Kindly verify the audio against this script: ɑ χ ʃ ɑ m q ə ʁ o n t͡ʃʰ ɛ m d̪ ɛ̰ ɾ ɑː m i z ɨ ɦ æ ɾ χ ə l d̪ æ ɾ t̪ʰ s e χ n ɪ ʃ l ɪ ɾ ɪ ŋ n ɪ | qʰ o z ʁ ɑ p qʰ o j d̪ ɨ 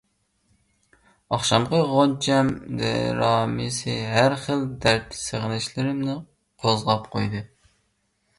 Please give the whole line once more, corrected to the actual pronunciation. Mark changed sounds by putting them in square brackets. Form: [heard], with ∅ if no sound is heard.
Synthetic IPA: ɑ χ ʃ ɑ m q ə ʁ o n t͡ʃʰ ɛ m d̪ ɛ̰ ɾ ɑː m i [s] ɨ ɦ æ ɾ χ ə l d̪ æ ɾ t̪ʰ s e [ʁ] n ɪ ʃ l ɪ ɾ ɪ [m] n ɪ | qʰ o z ʁ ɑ p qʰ o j d̪ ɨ